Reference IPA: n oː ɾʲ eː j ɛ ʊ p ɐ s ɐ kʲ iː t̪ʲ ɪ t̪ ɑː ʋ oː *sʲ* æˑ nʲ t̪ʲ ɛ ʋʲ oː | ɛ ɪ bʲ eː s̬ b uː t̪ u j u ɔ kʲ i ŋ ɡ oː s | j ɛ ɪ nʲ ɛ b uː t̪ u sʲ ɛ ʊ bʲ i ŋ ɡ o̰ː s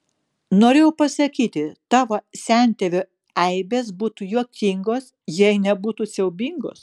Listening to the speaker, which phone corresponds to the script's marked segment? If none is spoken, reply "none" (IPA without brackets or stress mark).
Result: sʲ